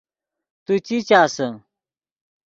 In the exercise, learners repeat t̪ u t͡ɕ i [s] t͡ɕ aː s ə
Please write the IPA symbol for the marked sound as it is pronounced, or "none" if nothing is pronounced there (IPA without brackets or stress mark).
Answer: none